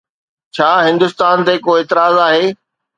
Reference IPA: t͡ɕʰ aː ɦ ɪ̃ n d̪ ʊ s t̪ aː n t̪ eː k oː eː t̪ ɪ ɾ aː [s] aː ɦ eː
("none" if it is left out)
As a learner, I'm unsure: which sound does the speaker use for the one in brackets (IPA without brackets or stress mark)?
z